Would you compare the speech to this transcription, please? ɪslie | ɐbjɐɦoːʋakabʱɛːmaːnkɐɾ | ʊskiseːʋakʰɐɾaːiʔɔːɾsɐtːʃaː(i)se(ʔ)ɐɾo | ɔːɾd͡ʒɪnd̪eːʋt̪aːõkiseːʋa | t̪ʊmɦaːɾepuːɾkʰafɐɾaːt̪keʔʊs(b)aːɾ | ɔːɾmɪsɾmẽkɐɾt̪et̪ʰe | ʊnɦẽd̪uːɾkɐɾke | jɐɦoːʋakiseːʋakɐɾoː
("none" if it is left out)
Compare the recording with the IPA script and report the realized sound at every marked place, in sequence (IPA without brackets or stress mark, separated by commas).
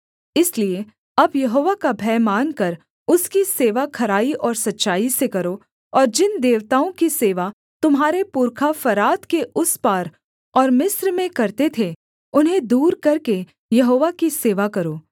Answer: i, k, p